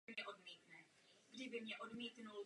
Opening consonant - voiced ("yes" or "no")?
yes